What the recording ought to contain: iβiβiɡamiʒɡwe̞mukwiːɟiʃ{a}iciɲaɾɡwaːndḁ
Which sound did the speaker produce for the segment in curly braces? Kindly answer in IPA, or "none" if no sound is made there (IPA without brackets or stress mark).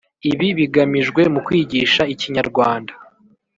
a